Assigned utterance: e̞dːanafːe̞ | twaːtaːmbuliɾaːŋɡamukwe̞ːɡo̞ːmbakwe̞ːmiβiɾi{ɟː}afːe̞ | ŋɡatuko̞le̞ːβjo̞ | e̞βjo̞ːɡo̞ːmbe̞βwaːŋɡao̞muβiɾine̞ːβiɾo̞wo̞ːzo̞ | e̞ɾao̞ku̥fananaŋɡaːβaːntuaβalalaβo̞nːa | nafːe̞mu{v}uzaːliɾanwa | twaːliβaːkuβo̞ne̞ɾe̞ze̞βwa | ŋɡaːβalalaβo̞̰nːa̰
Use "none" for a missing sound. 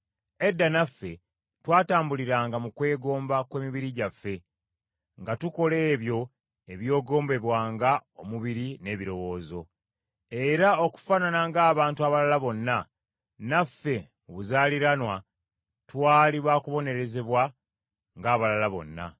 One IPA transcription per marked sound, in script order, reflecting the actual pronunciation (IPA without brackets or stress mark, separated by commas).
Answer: ɟ, β